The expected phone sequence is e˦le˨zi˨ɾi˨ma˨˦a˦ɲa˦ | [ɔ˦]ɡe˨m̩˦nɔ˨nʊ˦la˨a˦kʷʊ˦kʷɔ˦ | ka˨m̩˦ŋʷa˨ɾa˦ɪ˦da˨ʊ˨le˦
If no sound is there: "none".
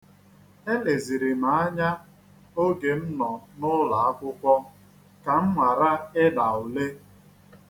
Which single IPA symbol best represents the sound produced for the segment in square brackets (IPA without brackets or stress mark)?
o˦